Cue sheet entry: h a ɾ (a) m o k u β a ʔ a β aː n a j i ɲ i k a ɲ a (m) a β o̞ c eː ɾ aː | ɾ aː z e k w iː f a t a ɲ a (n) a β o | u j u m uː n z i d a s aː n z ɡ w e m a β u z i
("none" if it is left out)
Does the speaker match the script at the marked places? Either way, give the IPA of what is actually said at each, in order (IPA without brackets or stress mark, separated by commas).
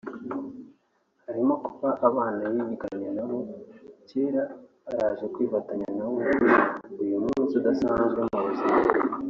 i, n, n